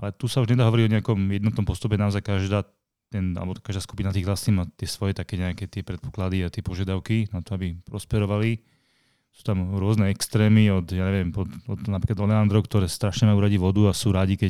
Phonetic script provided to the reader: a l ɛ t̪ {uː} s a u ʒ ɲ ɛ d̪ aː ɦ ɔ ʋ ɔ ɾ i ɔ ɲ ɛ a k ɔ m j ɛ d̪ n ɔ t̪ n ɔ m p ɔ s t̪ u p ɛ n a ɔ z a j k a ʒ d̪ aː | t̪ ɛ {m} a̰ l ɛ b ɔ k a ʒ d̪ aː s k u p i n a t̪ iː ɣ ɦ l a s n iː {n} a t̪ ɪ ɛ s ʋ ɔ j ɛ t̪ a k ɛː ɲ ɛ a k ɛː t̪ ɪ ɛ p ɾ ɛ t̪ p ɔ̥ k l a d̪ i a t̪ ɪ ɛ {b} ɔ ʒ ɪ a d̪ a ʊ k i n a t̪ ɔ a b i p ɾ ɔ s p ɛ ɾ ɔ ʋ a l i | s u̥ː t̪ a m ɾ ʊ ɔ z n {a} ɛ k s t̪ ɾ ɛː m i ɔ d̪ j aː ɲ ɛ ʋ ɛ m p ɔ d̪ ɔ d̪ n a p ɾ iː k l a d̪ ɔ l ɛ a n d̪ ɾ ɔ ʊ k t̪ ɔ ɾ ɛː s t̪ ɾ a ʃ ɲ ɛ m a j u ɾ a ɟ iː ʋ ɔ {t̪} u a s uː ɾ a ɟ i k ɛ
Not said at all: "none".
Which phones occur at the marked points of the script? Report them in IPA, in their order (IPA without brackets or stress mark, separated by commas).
u, n, m, p, ɛ, d̪